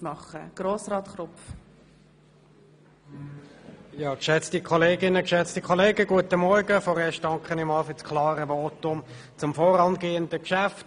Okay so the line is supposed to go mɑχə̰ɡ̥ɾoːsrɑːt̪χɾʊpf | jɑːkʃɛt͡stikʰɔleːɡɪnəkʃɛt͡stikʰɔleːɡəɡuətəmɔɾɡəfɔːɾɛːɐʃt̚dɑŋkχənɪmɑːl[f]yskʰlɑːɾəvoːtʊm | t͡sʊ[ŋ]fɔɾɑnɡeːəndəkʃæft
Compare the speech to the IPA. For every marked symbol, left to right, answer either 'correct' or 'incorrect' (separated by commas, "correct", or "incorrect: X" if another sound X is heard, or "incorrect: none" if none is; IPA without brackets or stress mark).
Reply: correct, incorrect: m